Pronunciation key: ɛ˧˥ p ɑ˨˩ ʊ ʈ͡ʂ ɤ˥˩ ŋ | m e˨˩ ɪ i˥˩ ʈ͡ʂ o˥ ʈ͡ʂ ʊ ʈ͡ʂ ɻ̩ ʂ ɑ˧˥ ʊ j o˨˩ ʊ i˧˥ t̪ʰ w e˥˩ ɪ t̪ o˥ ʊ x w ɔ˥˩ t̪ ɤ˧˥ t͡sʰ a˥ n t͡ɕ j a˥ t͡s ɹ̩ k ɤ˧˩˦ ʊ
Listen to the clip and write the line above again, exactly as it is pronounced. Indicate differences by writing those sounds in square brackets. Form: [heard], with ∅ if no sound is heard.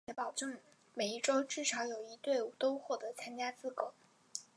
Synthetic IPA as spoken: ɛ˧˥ p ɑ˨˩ ʊ ʈ͡ʂ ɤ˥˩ ŋ | m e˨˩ ɪ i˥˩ ʈ͡ʂ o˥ [∅] ʊ ʈ͡ʂ ɻ̩ ʂ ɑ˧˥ ʊ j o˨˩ ʊ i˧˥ [t̪] w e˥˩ ɪ t̪ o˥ ʊ x w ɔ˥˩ t̪ ɤ˧˥ t͡sʰ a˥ n t͡ɕ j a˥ t͡s ɹ̩ k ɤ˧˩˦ ʊ